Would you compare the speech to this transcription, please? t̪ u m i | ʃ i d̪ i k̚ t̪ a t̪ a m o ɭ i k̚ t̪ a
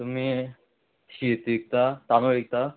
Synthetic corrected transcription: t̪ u m i | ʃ i t̪ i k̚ t̪ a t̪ a n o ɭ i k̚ t̪ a